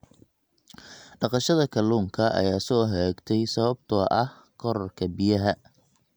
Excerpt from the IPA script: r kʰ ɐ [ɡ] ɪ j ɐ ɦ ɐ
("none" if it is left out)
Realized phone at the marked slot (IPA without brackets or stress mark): b